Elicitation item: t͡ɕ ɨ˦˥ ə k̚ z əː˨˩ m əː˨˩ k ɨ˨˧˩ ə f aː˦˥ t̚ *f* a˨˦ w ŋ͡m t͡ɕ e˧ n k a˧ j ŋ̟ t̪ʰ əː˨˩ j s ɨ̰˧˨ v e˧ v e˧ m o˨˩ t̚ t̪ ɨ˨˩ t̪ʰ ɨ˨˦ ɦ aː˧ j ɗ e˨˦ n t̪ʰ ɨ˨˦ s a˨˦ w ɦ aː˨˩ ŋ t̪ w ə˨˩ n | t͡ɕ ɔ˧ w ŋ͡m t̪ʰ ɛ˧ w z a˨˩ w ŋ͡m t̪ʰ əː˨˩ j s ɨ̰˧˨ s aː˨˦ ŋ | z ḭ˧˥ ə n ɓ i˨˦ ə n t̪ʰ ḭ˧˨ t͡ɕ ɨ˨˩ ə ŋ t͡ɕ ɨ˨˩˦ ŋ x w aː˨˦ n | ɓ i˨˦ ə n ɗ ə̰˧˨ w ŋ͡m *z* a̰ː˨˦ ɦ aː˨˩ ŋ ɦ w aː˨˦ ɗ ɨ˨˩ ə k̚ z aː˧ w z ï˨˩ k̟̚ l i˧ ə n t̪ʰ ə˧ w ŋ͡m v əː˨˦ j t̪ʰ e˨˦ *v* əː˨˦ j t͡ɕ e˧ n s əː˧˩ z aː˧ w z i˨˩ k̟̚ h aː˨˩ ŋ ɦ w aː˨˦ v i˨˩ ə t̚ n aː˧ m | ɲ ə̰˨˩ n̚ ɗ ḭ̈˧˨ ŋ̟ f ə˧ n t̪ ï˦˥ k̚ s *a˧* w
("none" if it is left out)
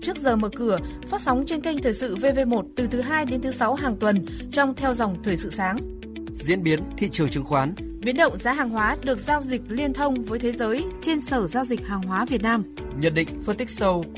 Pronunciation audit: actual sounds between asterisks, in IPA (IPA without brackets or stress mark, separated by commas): s, z, z, ə˧